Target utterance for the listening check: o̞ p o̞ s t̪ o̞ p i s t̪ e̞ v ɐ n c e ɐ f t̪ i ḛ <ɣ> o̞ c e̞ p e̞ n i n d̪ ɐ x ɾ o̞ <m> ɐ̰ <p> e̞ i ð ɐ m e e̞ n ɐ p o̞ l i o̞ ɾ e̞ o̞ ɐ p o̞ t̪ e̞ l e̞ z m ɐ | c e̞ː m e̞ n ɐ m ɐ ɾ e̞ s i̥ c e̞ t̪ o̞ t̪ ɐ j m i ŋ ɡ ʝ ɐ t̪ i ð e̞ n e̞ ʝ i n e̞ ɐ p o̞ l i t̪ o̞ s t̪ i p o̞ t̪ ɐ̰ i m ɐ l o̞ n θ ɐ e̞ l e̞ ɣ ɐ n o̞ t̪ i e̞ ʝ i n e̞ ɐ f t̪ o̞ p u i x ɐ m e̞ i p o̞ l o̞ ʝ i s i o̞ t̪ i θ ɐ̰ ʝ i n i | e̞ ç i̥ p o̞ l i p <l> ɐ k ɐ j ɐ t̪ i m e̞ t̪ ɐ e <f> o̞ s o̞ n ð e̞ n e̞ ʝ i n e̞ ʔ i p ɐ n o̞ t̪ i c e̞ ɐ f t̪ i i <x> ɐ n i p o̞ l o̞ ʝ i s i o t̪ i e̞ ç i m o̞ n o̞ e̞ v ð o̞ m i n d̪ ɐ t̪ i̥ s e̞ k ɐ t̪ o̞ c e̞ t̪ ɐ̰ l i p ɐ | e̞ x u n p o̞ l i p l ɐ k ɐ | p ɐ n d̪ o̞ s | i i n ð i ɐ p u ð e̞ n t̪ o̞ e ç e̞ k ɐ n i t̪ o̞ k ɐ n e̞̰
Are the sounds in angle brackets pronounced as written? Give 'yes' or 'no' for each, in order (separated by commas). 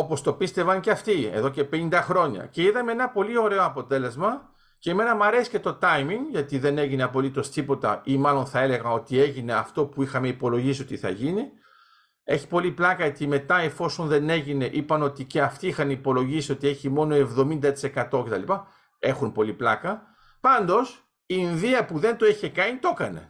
no, no, no, yes, yes, yes